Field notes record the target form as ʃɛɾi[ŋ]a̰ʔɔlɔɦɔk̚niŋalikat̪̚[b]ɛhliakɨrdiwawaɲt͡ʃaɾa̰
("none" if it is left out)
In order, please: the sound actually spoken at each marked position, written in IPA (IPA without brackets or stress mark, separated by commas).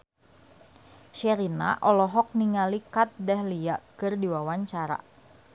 n, d